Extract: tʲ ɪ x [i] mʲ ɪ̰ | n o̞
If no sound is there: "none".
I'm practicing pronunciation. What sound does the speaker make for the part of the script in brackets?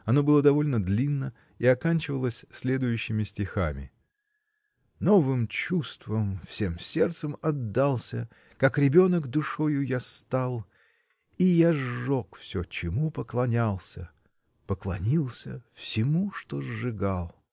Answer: a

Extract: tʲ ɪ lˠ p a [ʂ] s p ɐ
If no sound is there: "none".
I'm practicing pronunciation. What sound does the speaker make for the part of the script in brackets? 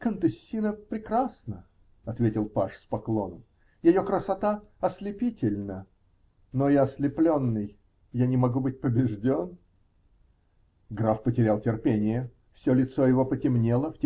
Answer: ʂ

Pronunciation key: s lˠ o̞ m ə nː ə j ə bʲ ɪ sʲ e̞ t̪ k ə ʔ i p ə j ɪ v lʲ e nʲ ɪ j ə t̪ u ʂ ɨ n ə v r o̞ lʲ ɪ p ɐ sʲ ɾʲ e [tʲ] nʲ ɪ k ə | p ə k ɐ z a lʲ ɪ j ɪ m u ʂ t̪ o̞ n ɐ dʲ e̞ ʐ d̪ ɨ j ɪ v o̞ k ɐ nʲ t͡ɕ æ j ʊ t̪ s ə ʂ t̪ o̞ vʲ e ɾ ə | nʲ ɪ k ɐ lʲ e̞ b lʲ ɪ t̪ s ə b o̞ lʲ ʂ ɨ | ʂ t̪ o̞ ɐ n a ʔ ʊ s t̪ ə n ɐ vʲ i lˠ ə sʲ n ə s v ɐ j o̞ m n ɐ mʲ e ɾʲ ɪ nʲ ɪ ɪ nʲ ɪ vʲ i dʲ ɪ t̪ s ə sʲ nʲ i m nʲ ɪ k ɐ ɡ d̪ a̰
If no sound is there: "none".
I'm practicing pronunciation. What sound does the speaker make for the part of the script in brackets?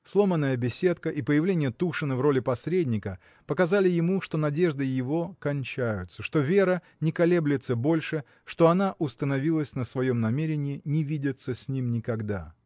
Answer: dʲ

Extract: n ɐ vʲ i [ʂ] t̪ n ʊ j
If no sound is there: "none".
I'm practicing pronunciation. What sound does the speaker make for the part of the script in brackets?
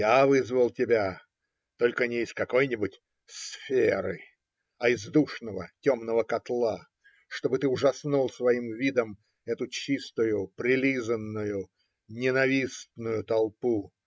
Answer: s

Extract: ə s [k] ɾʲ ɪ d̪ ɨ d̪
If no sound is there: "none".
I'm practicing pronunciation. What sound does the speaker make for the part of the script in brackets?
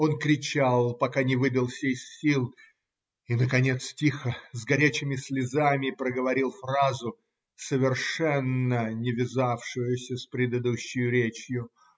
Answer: p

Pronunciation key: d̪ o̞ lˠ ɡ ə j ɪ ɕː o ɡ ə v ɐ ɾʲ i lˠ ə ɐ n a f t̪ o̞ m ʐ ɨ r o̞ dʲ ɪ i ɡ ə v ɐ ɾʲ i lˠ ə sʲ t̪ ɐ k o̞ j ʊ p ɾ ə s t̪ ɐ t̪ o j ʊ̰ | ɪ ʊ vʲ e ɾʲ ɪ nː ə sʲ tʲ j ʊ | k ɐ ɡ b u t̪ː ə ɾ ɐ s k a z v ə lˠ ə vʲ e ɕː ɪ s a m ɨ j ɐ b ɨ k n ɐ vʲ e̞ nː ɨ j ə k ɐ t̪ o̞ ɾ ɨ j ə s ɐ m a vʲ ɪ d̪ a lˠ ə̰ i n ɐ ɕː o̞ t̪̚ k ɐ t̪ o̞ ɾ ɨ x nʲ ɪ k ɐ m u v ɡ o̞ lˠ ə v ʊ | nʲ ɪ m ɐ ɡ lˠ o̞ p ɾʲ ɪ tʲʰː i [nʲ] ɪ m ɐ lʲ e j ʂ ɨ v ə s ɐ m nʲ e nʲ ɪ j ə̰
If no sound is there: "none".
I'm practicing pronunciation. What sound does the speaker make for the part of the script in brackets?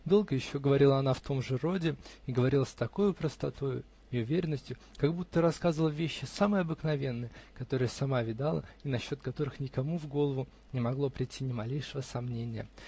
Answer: nʲ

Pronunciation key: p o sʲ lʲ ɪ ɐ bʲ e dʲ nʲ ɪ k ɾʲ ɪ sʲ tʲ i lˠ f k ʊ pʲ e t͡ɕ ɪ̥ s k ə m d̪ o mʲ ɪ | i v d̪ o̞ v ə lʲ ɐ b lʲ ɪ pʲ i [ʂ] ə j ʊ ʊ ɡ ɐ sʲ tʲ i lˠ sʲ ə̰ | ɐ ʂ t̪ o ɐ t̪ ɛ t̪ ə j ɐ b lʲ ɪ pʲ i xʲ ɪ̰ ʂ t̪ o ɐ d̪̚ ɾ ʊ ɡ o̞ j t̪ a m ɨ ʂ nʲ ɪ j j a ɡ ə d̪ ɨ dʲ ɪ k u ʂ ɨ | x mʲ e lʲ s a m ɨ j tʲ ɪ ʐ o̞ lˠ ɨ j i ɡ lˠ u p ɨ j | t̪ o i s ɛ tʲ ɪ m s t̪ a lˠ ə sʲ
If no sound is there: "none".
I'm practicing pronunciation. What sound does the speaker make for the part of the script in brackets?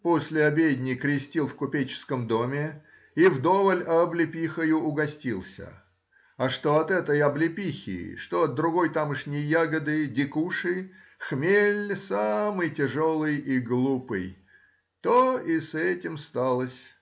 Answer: x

